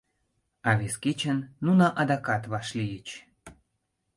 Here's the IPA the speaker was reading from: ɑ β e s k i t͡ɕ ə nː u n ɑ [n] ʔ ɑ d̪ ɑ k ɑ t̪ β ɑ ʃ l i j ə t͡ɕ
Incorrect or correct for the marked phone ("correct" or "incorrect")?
incorrect